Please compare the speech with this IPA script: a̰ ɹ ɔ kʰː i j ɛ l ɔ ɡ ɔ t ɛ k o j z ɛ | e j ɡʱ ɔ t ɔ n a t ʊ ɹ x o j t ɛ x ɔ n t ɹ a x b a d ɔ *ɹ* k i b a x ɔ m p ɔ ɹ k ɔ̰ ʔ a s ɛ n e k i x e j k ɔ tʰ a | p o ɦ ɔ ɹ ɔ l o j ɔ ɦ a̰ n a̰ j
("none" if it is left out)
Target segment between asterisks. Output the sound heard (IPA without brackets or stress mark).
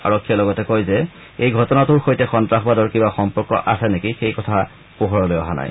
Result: ɹ